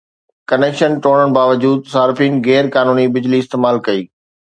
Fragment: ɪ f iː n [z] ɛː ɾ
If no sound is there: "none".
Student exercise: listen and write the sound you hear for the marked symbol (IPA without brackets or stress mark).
ɣ